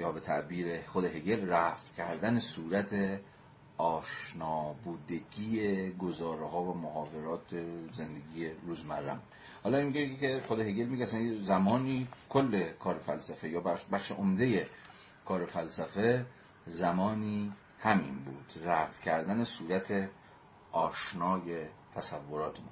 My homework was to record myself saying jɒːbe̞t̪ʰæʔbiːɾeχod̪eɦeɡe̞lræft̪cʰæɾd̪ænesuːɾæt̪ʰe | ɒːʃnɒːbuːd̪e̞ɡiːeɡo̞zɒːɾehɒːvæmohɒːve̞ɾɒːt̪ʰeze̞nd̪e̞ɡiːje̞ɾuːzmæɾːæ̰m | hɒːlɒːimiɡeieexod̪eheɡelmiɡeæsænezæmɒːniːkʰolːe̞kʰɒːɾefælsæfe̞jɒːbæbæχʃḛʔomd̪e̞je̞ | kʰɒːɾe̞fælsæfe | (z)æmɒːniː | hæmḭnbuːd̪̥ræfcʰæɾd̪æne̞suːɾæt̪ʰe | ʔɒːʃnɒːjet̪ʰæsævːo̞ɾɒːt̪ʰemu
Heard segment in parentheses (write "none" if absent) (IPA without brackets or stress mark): z